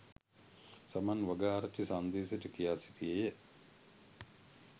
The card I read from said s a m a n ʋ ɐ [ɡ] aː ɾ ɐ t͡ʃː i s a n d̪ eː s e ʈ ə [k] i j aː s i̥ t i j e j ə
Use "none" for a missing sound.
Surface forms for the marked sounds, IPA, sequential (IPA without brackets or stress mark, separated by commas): ɡ, k